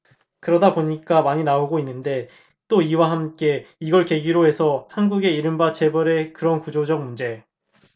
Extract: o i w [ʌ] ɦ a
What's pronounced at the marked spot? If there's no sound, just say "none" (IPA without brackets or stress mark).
a